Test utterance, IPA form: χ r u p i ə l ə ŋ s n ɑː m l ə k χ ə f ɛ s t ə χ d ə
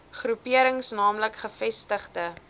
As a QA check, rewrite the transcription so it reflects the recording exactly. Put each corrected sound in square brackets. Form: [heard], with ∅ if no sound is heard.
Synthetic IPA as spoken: χ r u p i ə [ɾ] ə ŋ s n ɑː m l ə k χ ə f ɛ s t ə χ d ə